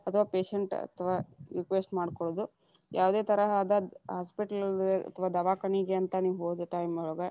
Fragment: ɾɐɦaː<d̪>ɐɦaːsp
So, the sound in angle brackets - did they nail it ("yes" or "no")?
yes